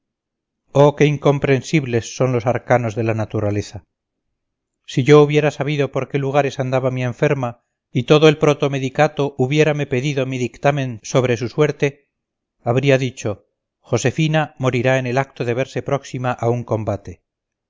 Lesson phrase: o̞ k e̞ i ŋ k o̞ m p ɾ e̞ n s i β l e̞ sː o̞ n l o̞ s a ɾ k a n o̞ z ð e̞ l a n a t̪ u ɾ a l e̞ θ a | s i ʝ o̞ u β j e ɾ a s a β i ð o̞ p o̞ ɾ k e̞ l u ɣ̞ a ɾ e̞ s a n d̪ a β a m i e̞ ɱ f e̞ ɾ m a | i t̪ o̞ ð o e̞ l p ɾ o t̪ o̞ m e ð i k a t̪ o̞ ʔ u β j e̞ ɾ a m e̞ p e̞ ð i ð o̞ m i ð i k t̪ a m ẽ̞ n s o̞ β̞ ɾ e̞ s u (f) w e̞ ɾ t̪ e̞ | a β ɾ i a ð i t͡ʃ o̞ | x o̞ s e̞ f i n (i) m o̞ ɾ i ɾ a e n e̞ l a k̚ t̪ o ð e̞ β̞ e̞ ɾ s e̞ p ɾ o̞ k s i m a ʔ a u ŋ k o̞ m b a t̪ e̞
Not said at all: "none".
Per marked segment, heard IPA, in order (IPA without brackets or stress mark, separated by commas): s, a